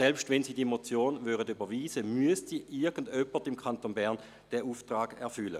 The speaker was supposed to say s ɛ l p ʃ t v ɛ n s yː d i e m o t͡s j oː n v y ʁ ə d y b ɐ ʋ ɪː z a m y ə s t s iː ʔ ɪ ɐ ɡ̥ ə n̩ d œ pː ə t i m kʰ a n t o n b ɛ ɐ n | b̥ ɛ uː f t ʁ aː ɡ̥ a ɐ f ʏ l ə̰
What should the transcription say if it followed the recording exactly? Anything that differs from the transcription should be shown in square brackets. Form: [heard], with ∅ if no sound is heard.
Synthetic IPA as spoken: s ɛ l p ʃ t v ɛ n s [iː] d i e m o t͡s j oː n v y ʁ ə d y b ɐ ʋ [iː] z [ə] m y ə s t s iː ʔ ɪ ɐ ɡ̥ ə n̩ d œ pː ə t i m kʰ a n t o n b ɛ ɐ n | [d̥] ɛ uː f t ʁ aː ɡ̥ [ɛ] ɐ f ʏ l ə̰

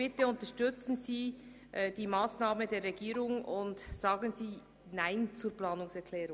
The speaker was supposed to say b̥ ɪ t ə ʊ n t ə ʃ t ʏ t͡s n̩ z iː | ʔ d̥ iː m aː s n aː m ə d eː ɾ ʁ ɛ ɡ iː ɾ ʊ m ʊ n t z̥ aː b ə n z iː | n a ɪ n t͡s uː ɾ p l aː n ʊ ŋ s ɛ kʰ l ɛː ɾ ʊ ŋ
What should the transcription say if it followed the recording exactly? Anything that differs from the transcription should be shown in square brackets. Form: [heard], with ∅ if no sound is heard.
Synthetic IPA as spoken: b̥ ɪ t ə ʊ n t ə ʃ t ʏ t͡s n̩ z iː | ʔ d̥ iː m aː s n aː m ə d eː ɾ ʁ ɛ ɡ iː ɾ ʊ [ŋ] ʊ n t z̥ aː [ɡ] ə n z iː | n a ɪ n t͡s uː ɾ p l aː n ʊ ŋ s ɛ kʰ l ɛː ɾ ʊ ŋ

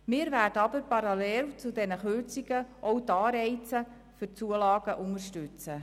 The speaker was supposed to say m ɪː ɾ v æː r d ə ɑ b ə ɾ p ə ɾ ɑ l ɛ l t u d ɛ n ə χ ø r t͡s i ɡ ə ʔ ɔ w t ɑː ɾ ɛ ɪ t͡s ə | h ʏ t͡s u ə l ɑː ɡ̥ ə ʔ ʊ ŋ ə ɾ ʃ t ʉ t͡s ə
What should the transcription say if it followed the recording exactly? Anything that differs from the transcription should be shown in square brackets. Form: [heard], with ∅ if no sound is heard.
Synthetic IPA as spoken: m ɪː ɾ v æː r d ə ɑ b ə ɾ p [ɑ] ɾ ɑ l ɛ l [t͡s] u d ɛ n ə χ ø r t͡s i ɡ ə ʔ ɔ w t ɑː ɾ ɛ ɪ t͡s ə | [f] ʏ t͡s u ə l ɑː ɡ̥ ə ʔ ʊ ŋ ə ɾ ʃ t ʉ t͡s ə

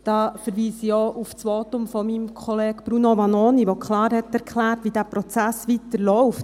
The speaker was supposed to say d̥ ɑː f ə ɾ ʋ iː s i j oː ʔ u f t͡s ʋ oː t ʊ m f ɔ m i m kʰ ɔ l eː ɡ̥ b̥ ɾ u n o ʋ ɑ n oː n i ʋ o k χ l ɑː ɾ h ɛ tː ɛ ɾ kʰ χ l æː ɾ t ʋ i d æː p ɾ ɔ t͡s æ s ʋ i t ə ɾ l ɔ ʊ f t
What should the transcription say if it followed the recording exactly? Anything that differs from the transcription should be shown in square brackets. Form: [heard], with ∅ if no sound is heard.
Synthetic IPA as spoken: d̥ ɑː f ə ɾ ʋ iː s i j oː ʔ u f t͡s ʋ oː t ʊ m f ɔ m i m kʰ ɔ l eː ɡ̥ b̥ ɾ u n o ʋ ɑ n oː n i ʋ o k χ l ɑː ɾ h ɛ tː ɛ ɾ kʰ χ l æː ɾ t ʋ i d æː p ɾ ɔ t͡s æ s ʋ i t ə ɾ l ɔ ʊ f t

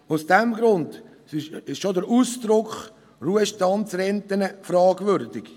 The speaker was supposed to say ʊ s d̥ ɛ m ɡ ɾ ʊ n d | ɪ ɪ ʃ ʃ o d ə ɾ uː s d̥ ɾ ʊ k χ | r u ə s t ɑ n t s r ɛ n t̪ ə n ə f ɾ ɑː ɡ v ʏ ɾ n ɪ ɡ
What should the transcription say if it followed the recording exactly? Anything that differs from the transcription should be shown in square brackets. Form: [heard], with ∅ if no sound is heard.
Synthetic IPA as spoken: ʊ s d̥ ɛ m ɡ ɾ ʊ n d | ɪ ɪ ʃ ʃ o d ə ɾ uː s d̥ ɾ ʊ k χ | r u ə [ʃ] t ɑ n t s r ɛ n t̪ ə n ə f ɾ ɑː ɡ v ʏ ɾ [d] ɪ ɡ

